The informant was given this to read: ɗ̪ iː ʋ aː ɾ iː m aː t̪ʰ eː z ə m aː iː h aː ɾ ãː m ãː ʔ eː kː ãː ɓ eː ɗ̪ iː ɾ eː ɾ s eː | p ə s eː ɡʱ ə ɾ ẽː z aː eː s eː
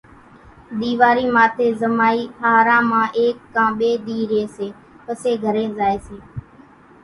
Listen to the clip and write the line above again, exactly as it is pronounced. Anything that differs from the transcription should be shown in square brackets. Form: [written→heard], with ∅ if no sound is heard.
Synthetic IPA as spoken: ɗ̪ iː ʋ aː ɾ iː m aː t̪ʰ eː z ə m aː iː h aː ɾ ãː m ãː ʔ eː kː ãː ɓ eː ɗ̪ iː ɾ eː [ɾ→∅] s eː | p ə s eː ɡʱ ə ɾ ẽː z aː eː s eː